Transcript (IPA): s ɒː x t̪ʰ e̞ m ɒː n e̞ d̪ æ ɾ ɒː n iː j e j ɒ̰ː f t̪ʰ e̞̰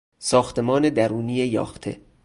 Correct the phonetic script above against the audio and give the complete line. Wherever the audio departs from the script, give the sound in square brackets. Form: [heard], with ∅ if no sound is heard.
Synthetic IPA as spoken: s ɒː x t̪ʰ e̞ m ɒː n e̞ d̪ æ ɾ [uː] n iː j e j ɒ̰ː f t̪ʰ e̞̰